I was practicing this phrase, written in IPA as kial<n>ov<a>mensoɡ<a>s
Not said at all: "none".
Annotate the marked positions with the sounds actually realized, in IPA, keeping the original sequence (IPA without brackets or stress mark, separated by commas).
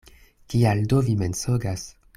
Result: d, i, a